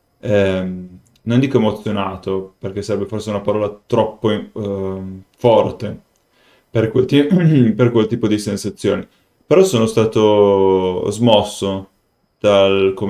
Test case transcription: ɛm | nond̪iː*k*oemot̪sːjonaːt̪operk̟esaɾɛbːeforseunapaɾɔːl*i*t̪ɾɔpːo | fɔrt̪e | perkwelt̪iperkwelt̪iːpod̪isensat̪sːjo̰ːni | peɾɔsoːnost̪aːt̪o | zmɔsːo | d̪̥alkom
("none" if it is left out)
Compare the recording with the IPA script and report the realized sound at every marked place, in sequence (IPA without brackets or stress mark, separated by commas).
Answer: k, a